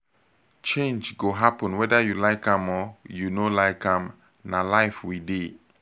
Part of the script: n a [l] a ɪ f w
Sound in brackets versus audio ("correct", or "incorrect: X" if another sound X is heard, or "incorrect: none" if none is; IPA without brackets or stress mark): correct